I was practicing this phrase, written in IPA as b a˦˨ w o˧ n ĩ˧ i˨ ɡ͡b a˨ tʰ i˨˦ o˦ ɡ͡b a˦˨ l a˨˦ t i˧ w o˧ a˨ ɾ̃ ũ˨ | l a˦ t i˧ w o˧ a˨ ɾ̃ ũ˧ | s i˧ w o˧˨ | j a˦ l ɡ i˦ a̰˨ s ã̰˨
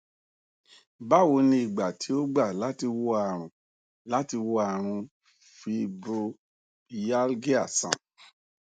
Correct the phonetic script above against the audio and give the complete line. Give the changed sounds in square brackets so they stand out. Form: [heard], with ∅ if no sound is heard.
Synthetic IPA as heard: b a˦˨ w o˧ n ĩ˧ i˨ ɡ͡b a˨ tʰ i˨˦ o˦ ɡ͡b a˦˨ l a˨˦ t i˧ w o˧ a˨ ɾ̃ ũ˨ | l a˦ t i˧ w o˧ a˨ ɾ̃ ũ˧ | [f] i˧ [b] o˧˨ | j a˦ l ɡ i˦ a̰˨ s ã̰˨